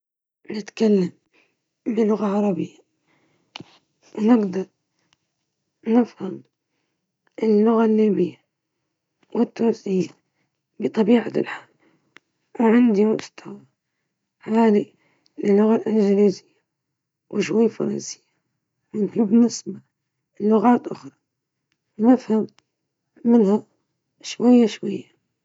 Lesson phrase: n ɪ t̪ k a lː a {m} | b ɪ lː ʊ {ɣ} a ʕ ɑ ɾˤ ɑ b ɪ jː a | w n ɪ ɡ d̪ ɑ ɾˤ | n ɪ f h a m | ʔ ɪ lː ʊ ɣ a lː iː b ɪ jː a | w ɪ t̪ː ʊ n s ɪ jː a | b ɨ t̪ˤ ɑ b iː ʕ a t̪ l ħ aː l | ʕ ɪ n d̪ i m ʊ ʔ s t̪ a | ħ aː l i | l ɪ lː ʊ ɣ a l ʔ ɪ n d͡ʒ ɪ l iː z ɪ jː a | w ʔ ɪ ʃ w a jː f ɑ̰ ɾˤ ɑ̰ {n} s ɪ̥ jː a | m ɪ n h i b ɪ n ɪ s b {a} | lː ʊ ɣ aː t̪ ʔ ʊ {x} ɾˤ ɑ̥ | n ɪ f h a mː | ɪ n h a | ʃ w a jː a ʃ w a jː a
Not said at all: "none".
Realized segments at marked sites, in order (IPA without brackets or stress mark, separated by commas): m, ɣ, n, a, x